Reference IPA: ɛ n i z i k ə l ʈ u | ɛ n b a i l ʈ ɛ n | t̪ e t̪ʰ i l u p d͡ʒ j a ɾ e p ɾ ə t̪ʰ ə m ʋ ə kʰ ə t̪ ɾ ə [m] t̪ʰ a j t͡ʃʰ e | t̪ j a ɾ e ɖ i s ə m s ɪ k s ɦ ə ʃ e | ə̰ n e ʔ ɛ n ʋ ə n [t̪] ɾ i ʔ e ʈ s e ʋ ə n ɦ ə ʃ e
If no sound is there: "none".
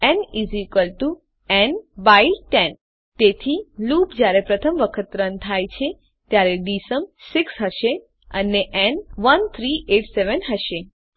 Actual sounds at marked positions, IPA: n, t̪ʰ

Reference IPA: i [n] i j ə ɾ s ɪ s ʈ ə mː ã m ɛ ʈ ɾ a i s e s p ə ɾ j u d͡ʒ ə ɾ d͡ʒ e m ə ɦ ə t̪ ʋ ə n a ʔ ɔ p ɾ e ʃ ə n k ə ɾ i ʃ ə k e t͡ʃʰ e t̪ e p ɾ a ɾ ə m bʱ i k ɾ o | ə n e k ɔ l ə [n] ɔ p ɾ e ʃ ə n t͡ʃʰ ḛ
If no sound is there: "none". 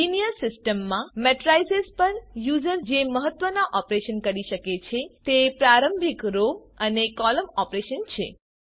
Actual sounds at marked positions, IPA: n, m

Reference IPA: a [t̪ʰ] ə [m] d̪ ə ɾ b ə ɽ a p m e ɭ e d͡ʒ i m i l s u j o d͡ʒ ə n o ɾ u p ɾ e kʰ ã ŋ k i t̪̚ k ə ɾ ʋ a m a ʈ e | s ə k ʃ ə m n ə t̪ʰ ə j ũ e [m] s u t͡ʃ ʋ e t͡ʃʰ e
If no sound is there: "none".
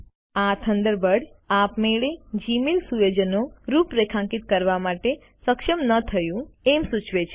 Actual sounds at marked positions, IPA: t̪ʰ, n, m

